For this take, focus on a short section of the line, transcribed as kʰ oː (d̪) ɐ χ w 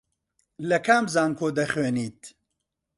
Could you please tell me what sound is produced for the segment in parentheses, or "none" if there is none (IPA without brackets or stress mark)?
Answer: d̪